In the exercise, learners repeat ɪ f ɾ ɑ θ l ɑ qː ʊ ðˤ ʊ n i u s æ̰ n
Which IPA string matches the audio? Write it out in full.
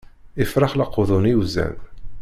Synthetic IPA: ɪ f ɾ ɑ χ l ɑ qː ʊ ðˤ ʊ n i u z æ̰ n